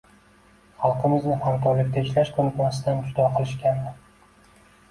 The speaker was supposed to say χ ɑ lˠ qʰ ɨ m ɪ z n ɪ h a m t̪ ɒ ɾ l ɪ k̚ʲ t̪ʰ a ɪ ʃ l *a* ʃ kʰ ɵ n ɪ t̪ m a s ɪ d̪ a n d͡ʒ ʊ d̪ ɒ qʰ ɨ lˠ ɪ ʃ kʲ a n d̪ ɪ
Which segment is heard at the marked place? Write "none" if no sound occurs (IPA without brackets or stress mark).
a